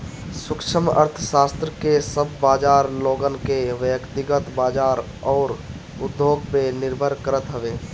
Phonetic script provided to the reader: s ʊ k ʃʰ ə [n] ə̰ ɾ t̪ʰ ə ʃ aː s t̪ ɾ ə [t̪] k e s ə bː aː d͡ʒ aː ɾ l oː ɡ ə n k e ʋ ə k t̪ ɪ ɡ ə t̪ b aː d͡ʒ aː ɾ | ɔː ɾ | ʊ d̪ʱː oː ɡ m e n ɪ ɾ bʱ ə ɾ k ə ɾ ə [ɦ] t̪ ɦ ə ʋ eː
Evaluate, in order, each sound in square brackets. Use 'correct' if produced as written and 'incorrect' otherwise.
incorrect: m, incorrect: none, incorrect: none

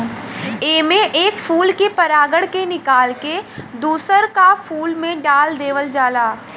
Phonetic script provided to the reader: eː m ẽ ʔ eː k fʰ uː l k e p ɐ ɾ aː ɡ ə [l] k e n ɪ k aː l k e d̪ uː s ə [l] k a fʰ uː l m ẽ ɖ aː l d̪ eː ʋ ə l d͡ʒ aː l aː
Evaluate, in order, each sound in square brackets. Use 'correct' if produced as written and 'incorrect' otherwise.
incorrect: ɽ, incorrect: ɾ

